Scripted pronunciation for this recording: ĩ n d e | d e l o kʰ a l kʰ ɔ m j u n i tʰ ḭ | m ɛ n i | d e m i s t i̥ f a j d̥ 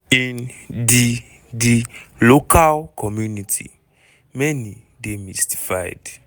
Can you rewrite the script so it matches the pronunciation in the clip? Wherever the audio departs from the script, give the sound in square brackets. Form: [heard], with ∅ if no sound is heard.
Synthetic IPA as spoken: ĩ n d [i] | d [i] l o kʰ a l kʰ ɔ m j u n i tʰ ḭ | m ɛ n i | d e m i s t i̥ f a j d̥